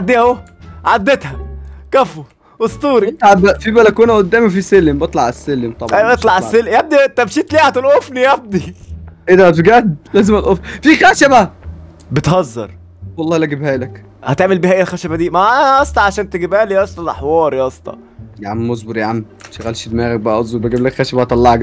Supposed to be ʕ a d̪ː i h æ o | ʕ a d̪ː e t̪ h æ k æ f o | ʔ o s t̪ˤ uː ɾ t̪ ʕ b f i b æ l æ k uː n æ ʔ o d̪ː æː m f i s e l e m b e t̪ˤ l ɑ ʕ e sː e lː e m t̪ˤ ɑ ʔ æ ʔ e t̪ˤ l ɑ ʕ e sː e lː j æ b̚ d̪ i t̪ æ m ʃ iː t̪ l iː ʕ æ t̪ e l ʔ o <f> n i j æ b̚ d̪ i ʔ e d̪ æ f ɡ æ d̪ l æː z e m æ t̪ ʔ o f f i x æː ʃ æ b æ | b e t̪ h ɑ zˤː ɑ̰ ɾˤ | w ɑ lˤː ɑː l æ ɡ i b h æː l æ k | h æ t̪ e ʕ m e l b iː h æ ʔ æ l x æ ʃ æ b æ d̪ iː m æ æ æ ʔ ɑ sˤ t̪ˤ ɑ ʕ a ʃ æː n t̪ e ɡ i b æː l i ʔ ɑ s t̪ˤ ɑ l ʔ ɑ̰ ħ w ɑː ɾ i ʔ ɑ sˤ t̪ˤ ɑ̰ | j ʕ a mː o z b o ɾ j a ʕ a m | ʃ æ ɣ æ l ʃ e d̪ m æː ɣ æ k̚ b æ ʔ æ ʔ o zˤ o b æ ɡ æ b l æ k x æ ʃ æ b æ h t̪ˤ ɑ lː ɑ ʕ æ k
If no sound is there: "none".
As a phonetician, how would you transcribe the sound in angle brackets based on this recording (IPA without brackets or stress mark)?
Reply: f